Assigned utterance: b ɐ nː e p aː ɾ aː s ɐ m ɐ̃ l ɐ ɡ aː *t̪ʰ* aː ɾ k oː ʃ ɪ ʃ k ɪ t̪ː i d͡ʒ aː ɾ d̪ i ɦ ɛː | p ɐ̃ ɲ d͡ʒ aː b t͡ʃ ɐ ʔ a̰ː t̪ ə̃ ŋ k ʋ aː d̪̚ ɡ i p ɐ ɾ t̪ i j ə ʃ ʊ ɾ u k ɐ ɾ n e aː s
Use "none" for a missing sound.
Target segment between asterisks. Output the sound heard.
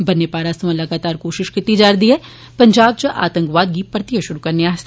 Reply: t̪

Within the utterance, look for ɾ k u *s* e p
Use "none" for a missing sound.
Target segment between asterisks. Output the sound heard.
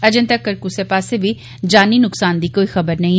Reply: s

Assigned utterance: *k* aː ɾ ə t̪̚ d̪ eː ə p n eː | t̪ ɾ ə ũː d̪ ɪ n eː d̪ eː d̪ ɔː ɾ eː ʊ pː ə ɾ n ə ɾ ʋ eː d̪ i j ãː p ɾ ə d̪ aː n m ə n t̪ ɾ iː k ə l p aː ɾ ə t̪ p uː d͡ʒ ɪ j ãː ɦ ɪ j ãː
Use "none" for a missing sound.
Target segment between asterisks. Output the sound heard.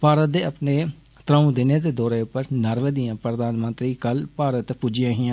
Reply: p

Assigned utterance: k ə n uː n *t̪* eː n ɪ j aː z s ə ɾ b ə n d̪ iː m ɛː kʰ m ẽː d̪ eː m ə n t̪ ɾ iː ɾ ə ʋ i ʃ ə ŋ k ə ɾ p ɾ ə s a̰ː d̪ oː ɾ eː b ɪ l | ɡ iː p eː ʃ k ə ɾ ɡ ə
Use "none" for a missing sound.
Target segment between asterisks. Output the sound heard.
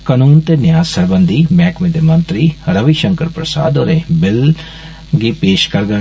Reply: t̪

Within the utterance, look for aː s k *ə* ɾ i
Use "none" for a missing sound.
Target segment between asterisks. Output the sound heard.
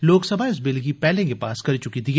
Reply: ɐ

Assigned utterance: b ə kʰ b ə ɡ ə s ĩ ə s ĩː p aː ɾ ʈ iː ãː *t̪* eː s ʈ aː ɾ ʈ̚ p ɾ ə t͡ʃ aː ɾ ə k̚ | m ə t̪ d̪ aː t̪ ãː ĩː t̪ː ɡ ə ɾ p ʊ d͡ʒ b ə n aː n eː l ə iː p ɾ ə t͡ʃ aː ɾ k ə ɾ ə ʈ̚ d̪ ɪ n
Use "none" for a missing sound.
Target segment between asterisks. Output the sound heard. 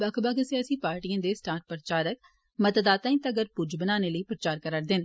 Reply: d̪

